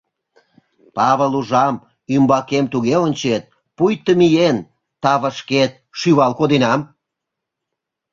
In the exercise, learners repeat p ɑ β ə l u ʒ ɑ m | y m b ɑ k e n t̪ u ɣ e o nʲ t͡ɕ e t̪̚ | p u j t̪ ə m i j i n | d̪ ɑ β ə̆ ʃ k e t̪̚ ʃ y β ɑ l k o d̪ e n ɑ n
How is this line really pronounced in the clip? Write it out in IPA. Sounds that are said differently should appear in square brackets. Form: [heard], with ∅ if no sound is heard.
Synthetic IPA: p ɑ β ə l u ʒ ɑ m | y m b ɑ k e [m] t̪ u ɣ e o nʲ t͡ɕ e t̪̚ | p u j t̪ ə m i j [e] n | [t̪] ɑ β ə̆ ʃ k e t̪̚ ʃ y β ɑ l k o d̪ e n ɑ [m]